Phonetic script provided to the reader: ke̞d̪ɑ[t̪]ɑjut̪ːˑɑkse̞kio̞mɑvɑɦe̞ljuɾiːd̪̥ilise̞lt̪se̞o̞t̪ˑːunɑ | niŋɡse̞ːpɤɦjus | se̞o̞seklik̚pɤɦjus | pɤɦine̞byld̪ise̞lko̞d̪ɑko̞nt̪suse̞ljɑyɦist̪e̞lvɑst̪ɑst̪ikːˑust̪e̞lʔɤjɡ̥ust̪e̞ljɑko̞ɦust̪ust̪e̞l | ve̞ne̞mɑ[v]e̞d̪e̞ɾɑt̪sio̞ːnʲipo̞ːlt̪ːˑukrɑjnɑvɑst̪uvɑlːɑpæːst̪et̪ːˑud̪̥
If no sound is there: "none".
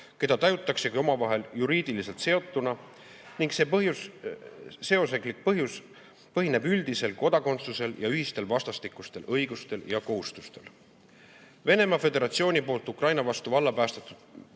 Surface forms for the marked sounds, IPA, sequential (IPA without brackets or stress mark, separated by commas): t̪, f